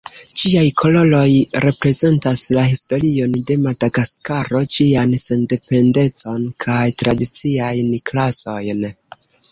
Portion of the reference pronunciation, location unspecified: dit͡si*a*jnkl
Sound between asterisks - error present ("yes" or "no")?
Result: no